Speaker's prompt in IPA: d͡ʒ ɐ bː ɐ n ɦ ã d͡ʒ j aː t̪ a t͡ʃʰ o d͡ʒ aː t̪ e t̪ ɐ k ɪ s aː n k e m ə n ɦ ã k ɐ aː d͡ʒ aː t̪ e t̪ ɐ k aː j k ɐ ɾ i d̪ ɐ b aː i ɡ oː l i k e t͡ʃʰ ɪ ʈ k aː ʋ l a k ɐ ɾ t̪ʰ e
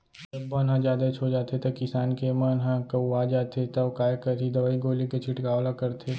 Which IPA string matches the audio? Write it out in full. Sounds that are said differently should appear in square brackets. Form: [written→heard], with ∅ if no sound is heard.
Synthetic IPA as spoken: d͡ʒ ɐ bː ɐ n ɦ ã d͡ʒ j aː [t̪→d̪] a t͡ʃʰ o d͡ʒ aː t̪ e t̪ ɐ k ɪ s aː n k e m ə n ɦ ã k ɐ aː d͡ʒ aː t̪ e t̪ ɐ k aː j k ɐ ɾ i d̪ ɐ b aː i ɡ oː l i k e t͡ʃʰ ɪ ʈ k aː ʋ l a k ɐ ɾ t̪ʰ e